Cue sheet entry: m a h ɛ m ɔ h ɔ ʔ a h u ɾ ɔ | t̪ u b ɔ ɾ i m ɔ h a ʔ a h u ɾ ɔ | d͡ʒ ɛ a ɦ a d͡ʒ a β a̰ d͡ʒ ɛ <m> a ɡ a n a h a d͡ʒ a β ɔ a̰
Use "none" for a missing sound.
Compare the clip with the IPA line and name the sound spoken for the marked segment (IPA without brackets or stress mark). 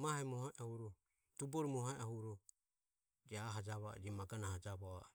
m